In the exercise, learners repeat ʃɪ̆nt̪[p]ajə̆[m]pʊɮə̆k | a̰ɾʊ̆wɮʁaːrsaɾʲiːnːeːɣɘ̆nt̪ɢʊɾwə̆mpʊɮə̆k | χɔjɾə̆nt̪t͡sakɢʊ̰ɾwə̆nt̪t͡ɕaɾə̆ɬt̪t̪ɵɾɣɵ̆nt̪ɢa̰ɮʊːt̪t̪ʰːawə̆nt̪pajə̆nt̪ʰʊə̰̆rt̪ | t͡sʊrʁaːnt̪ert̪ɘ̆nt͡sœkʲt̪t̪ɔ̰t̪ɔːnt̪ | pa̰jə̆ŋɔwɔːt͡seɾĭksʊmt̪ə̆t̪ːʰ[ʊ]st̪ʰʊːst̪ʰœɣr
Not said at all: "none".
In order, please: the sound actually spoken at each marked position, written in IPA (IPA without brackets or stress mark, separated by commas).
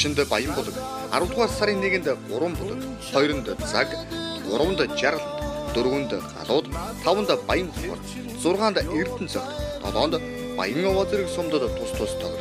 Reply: p, m, ʊ